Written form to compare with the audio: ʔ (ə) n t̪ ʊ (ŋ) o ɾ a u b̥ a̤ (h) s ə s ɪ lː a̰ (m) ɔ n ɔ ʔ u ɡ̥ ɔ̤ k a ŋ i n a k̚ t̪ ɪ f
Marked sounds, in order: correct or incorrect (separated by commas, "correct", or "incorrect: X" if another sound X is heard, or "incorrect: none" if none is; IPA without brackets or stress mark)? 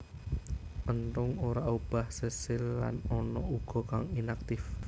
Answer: correct, correct, correct, incorrect: n